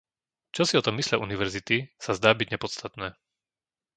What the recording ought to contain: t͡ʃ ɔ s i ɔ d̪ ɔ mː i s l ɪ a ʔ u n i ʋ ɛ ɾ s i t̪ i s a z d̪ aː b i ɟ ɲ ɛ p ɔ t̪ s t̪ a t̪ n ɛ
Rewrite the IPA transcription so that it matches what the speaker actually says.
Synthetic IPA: t͡ʃ ɔ s i ɔ t̪ ɔ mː i s l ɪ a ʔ u n i ʋ ɛ ɾ z i t̪ i s a z d̪ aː b i ɟ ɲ ɛ p ɔ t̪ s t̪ a t̪ n ɛː